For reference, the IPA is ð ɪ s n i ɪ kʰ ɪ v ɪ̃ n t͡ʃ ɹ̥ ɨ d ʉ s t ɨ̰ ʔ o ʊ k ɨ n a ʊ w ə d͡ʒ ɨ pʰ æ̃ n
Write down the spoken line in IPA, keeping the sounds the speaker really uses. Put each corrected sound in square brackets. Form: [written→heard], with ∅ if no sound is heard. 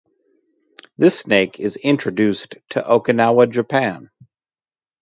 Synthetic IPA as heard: ð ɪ s n [i→e] ɪ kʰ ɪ [v→z] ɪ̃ n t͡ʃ ɹ̥ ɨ d ʉ s [t→tʰ] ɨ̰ ʔ o ʊ k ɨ n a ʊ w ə d͡ʒ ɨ pʰ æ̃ n